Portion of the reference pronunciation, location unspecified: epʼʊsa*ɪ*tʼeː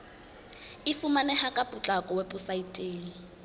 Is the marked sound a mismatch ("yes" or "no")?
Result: yes